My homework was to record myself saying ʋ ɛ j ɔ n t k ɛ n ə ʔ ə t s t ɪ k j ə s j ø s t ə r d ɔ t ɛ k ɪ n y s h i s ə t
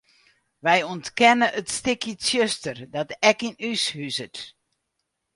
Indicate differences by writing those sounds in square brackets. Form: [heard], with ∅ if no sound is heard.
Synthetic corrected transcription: ʋ ɛ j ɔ n t k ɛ n ə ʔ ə t s t ɪ k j ə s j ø s t ə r d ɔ t ɛ k [i] n y s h [y] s ə t